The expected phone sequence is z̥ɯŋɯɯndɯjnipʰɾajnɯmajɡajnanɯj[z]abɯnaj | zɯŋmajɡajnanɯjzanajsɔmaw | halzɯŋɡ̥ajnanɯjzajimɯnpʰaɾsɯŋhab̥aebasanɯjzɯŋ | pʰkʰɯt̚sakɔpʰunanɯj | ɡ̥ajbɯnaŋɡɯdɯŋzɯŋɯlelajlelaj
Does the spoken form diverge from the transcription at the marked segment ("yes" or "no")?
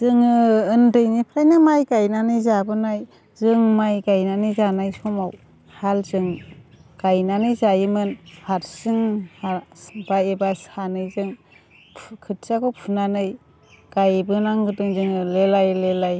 no